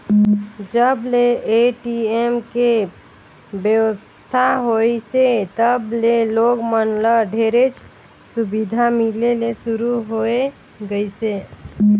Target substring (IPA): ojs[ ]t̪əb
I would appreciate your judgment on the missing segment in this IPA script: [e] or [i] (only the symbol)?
e